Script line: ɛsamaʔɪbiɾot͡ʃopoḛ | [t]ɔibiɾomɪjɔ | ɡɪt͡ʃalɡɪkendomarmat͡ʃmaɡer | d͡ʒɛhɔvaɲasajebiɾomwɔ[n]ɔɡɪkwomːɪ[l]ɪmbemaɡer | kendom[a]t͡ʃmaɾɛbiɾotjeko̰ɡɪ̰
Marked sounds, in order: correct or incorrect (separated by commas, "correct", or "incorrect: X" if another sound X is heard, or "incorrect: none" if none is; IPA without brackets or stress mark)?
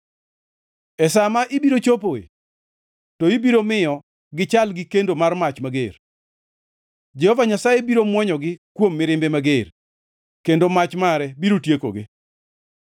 correct, incorrect: ɲ, incorrect: ɾ, correct